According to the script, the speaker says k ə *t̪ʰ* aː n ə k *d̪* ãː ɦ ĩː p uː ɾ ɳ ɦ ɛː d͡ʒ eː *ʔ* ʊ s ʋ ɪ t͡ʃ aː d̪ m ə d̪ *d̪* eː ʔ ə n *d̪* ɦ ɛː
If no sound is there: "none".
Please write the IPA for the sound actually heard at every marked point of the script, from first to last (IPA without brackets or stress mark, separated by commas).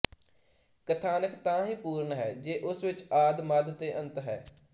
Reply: t̪ʰ, t̪, ʔ, t̪, t̪